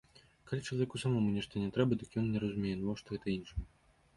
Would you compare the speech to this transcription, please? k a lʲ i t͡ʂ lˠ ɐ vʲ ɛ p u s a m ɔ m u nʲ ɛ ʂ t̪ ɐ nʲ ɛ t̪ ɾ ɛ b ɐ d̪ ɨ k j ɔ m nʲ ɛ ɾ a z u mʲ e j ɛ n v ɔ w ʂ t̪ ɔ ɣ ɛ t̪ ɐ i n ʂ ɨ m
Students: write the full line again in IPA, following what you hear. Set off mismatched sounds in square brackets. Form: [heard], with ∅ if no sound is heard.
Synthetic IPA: k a lʲ i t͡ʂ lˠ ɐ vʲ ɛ [k] u s a m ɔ m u nʲ ɛ ʂ t̪ ɐ nʲ ɛ t̪ ɾ ɛ b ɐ d̪ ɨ k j ɔ [n] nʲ ɛ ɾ [ɐ] z u mʲ e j ɛ n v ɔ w ʂ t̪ ɔ ɣ ɛ t̪ ɐ i n ʂ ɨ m